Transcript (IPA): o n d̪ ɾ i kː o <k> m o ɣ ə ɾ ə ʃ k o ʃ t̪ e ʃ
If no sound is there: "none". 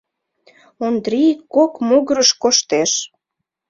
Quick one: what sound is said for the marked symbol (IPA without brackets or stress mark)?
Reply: k